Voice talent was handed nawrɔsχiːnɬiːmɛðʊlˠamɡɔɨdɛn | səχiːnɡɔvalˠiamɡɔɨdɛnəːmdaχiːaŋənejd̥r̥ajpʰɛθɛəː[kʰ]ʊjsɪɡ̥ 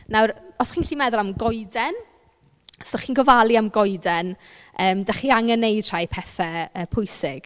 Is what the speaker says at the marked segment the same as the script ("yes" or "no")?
no